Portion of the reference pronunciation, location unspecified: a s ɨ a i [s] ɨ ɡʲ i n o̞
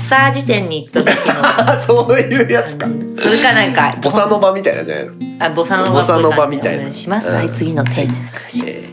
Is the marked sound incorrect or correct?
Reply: incorrect